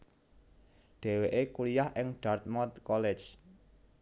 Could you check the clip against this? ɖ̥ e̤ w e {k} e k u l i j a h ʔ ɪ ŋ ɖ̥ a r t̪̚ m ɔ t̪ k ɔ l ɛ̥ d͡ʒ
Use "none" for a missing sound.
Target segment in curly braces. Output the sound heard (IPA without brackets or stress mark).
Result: ʔ